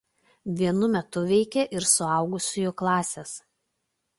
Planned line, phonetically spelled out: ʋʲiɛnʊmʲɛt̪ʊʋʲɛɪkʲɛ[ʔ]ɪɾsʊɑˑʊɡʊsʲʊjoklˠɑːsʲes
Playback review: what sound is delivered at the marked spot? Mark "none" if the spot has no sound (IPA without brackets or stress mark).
ʔ